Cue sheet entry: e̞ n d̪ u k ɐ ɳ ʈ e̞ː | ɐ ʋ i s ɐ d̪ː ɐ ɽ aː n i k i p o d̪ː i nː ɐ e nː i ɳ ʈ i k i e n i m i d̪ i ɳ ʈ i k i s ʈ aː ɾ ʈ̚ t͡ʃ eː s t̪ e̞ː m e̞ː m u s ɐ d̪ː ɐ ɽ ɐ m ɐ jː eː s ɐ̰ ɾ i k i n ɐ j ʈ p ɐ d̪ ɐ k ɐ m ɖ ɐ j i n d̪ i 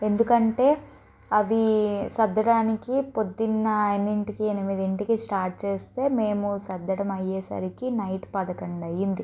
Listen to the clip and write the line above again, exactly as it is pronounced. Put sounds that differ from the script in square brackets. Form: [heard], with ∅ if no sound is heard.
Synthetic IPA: e̞ n d̪ u k ɐ ɳ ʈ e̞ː | ɐ ʋ i s ɐ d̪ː ɐ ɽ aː n i k i p o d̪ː i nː ɐ e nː i ɳ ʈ i k i e n i m i d̪ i ɳ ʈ i k i s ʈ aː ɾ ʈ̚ t͡ʃ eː s t̪ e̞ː m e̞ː m u s ɐ d̪ː ɐ ɽ ɐ m ɐ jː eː s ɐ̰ ɾ i k i n ɐ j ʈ p ɐ d̪ ɐ k ɐ [ɳ] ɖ ɐ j i n d̪ i

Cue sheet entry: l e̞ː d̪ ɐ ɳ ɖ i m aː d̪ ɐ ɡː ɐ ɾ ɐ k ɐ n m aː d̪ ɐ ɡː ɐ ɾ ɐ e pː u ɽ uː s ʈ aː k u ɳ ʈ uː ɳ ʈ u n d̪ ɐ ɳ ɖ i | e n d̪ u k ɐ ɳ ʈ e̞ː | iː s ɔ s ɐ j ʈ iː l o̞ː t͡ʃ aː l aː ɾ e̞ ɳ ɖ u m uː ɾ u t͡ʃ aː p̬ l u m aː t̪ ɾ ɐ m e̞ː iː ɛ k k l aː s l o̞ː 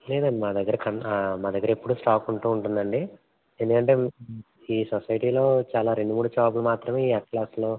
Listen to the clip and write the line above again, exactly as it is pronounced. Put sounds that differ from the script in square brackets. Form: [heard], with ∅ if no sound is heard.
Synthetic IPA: l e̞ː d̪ ɐ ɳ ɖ i m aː d̪ ɐ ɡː ɐ ɾ ɐ k ɐ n m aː d̪ ɐ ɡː ɐ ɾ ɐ e pː u ɽ uː s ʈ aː k u ɳ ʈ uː ɳ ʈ u n d̪ ɐ ɳ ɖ i | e n d̪ u k ɐ ɳ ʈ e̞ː | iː s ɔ s ɐ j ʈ iː l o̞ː t͡ʃ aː l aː ɾ e̞ ɳ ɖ u m uː [ɽ] u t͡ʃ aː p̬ l u m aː t̪ ɾ ɐ m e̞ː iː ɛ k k l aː s l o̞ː

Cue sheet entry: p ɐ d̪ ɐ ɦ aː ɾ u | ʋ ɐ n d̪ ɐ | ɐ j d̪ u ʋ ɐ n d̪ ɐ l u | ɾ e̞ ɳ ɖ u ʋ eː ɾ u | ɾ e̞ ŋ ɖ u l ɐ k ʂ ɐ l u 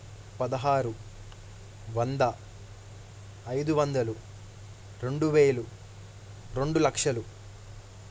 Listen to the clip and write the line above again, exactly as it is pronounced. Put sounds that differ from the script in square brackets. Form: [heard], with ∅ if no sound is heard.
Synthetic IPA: p ɐ d̪ ɐ ɦ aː ɾ u | ʋ ɐ n d̪ ɐ | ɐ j d̪ u ʋ ɐ n d̪ ɐ l u | ɾ e̞ ɳ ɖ u ʋ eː [l] u | ɾ e̞ [ɳ] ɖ u l ɐ k ʂ ɐ l u

